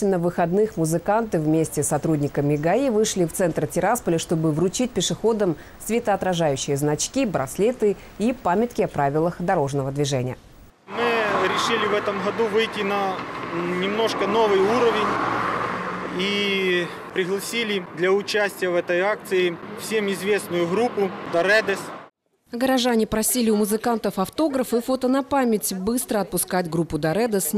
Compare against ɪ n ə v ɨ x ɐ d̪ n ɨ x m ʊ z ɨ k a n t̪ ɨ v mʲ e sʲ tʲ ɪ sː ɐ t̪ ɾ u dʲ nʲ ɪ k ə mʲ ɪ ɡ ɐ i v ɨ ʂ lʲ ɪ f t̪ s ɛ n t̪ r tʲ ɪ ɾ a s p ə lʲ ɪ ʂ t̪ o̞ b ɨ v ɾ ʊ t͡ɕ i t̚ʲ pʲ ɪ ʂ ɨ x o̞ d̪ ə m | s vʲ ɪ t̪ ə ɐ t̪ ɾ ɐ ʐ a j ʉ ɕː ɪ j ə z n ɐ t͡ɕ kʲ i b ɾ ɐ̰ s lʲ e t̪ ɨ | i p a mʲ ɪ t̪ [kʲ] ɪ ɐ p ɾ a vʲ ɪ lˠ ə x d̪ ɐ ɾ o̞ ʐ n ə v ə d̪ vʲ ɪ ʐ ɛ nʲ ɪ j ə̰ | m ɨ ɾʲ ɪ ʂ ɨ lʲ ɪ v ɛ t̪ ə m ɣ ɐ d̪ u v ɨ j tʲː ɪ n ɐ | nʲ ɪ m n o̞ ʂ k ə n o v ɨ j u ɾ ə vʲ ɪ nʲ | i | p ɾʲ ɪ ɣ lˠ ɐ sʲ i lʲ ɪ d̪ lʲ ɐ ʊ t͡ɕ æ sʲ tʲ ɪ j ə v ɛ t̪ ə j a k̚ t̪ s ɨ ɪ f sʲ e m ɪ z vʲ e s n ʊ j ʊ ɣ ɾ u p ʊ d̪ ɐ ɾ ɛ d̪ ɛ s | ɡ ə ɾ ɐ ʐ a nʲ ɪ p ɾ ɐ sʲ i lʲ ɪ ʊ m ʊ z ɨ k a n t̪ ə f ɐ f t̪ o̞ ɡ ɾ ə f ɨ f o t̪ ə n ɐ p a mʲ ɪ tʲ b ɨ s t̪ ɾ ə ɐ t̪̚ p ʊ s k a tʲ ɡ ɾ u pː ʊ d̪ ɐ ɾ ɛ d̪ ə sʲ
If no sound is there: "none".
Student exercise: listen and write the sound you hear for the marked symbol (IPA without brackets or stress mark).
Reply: kʲ